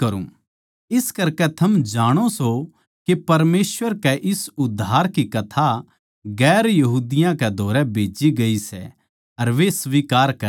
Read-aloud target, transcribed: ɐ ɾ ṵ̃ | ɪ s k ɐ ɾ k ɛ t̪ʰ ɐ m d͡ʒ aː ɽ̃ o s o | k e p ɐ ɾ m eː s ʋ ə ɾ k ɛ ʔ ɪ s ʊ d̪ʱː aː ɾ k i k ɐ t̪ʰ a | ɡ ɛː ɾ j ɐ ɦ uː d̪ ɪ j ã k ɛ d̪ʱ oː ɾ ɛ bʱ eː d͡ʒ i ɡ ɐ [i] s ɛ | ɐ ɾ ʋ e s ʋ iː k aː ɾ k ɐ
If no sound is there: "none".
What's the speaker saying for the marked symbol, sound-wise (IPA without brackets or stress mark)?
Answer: i